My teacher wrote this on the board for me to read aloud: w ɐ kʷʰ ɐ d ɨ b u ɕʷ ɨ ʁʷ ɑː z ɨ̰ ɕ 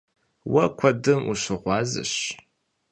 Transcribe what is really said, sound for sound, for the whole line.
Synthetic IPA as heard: w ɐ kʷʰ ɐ d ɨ m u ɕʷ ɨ ʁʷ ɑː z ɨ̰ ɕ